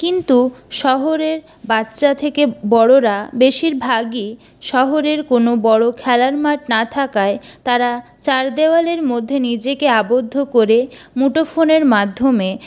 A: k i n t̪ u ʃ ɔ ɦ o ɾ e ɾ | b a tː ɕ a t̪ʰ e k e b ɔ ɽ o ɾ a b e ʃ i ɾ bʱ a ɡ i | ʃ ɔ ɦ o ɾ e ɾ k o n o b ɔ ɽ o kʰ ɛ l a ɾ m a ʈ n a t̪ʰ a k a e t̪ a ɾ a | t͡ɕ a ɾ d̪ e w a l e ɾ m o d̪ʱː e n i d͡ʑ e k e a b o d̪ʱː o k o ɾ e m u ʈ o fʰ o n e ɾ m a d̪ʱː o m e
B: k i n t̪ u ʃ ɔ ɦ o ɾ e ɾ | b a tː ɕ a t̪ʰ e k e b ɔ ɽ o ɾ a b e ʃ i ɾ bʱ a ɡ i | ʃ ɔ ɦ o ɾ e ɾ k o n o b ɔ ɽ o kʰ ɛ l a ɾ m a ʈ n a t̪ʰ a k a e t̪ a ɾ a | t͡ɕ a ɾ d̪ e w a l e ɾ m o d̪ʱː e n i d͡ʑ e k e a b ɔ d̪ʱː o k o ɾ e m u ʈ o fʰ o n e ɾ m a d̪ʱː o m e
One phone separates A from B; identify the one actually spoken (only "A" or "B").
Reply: A